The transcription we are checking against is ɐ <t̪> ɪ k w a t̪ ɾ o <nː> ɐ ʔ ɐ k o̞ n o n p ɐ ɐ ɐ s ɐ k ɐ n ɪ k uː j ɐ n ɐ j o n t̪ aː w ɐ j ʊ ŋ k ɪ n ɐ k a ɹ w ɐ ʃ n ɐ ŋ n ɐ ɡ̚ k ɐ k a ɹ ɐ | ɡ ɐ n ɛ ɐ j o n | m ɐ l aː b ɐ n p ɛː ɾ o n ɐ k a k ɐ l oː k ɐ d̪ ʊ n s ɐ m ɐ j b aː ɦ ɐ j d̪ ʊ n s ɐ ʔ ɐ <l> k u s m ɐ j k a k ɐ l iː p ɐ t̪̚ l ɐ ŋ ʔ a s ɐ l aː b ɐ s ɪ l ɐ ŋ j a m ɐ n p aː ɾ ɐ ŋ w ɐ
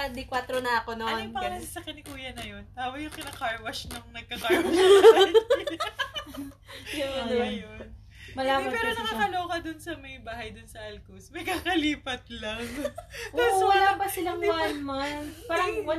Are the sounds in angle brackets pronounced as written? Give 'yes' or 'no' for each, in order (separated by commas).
no, no, yes